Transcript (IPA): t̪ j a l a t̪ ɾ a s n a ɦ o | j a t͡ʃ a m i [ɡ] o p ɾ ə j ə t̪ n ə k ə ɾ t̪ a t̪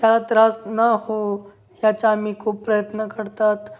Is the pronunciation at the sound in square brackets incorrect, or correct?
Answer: incorrect